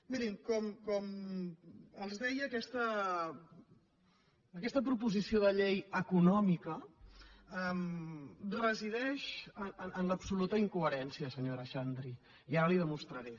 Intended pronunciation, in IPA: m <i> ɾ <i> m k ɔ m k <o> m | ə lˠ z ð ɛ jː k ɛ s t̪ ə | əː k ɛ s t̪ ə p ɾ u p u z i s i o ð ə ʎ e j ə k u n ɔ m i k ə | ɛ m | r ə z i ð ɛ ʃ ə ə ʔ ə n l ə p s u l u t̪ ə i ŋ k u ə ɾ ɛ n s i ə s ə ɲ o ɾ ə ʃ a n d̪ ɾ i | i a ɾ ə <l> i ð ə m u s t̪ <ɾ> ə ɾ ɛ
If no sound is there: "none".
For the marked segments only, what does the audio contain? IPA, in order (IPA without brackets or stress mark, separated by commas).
i, i, ɔ, l, ɾ